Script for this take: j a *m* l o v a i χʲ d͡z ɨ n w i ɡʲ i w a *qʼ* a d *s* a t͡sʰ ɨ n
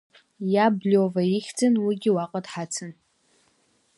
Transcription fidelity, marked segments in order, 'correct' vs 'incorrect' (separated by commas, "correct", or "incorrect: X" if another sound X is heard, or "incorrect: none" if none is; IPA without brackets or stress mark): incorrect: b, correct, incorrect: ħ